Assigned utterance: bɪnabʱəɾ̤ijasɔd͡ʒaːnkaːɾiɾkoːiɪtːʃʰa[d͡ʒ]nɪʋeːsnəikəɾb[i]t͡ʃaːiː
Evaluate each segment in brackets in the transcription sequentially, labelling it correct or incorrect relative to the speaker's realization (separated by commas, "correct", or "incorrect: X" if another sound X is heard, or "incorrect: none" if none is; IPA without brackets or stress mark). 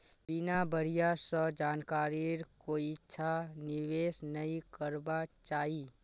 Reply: incorrect: none, incorrect: a